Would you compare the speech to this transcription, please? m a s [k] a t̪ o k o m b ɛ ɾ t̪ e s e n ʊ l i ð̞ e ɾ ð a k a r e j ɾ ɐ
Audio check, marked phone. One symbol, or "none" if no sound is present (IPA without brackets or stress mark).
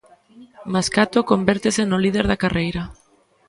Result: k